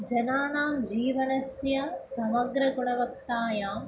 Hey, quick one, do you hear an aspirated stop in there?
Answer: no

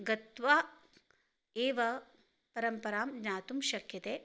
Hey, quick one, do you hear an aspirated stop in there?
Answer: no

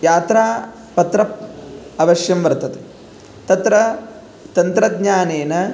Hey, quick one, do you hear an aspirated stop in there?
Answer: no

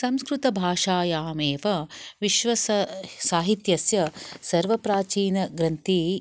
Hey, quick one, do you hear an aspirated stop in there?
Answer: no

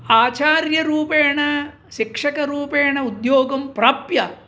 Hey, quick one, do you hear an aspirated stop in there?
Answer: no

